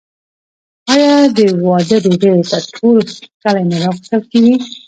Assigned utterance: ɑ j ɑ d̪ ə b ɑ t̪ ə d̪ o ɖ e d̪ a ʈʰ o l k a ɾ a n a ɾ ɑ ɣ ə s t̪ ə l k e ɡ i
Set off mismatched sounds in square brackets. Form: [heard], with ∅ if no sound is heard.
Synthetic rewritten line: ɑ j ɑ d̪ ə [w] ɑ [d̪] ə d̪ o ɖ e [t̪] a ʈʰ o l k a [l] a n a ɾ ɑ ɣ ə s t̪ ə l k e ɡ i